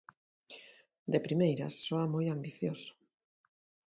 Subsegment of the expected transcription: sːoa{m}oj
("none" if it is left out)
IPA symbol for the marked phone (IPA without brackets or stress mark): m